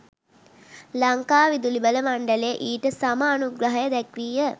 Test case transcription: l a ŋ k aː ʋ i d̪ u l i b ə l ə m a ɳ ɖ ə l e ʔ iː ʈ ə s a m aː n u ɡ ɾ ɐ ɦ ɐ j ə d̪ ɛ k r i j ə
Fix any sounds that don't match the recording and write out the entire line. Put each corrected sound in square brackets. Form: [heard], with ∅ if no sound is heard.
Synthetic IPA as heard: l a ŋ k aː ʋ i d̪ u l i b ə l ə m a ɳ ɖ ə l e ʔ iː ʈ ə s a m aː n u ɡ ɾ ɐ ɦ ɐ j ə d̪ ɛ k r i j ə